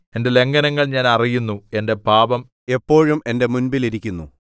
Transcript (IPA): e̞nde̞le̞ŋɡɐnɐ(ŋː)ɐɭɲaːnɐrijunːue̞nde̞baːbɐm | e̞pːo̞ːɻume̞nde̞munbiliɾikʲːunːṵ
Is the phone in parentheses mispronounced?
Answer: no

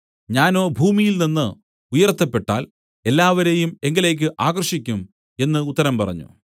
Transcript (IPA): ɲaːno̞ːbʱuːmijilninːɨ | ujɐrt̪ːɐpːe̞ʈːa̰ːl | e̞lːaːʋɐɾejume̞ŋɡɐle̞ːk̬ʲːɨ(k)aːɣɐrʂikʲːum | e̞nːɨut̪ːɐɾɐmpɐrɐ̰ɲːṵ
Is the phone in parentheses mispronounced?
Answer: yes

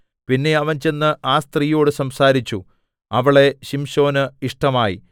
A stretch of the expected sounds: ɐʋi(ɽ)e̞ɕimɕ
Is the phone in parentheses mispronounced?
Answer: yes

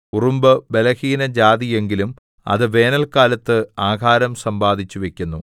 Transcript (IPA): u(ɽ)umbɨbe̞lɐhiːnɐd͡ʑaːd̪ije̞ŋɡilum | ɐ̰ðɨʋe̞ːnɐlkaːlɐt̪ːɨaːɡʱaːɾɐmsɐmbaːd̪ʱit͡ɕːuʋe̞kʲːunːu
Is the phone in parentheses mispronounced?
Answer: yes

